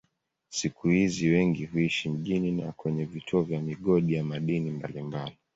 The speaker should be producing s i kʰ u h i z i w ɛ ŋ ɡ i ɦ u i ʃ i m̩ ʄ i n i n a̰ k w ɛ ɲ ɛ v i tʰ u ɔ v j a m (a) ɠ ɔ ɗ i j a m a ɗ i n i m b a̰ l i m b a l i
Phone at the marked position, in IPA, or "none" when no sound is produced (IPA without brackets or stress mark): i